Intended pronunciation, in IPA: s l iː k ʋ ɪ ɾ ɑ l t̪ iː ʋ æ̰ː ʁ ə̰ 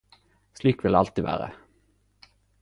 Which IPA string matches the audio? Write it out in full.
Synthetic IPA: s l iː k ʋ ɪ l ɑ l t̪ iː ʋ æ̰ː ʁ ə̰